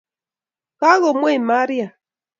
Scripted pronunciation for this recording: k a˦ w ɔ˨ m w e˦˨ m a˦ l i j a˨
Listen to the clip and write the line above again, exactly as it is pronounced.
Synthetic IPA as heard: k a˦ ɣ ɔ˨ m w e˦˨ m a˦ ɾ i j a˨